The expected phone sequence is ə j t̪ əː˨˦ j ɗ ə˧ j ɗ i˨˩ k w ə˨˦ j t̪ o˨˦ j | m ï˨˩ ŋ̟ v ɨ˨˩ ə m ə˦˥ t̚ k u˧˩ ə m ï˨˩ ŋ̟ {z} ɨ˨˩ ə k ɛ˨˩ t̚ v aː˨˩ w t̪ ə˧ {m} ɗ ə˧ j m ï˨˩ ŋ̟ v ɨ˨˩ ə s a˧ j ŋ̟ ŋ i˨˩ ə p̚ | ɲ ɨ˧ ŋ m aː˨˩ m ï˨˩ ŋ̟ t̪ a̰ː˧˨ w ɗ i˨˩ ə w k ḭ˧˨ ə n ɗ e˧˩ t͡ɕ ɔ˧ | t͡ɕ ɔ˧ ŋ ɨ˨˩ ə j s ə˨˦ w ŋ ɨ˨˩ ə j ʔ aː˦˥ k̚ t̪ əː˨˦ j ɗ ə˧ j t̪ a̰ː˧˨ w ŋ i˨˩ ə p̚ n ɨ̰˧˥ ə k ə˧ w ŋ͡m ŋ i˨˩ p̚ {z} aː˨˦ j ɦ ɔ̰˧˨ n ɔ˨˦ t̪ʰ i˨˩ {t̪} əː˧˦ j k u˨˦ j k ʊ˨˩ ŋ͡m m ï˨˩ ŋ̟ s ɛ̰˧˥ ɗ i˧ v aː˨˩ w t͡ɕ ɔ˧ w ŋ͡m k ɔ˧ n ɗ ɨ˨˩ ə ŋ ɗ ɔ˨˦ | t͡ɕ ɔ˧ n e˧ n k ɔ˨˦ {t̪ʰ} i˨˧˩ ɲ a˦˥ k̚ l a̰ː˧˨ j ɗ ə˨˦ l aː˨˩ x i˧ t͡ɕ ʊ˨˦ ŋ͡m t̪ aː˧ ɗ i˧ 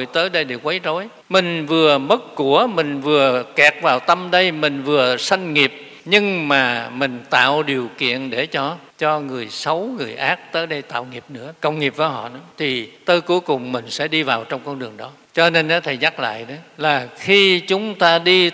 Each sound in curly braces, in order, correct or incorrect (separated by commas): incorrect, correct, incorrect, correct, correct